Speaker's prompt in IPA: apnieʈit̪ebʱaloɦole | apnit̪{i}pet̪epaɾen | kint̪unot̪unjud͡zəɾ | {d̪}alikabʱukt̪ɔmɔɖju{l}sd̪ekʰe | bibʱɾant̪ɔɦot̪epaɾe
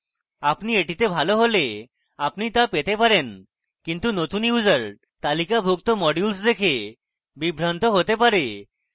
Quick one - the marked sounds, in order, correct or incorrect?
incorrect: a, incorrect: t̪, correct

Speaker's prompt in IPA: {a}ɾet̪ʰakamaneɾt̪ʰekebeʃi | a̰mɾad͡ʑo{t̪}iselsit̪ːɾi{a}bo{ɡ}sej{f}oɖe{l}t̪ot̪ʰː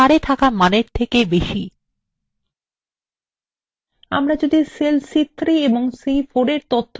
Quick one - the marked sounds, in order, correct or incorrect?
correct, incorrect: d̪, incorrect: e, incorrect: ŋ, correct, incorrect: ɾ

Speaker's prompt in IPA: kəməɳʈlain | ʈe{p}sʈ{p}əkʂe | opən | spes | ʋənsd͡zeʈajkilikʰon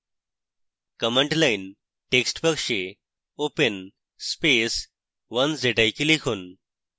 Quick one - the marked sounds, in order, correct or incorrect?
incorrect: k, correct

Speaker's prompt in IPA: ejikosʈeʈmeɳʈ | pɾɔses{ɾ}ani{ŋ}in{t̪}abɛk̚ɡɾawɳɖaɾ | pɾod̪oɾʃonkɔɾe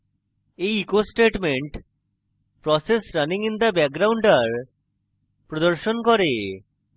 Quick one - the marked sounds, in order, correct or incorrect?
correct, correct, incorrect: d̪

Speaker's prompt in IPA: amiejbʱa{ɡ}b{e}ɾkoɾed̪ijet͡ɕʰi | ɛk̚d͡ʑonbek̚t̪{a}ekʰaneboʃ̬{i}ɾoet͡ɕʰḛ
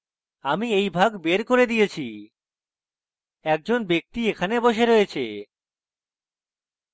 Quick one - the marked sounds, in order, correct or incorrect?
correct, correct, incorrect: i, incorrect: e

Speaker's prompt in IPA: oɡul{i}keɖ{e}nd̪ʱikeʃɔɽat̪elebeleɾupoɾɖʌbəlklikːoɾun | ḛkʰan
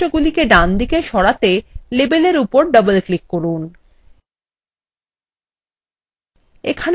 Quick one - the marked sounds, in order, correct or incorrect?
correct, incorrect: a

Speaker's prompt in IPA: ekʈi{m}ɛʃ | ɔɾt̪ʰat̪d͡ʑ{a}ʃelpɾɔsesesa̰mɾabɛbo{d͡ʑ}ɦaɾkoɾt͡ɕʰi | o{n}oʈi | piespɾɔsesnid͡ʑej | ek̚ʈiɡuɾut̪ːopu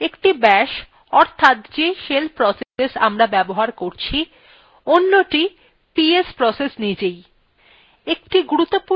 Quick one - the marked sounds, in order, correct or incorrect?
incorrect: b, incorrect: e, incorrect: none, incorrect: nː

